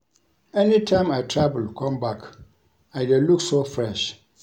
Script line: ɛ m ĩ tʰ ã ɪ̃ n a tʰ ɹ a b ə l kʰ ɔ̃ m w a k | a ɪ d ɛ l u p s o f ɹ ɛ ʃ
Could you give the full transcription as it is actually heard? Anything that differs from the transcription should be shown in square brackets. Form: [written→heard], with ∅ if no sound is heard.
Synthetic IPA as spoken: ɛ [m→n] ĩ tʰ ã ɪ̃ [n→m] a tʰ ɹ a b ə l kʰ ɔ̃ m [w→b] a k | a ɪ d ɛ l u [p→k] s o f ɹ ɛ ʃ